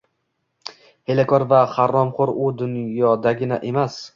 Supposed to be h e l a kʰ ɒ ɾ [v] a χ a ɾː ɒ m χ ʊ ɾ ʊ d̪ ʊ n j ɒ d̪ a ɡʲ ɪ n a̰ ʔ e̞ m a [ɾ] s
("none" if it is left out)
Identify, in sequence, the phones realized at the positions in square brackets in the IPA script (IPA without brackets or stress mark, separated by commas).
v, none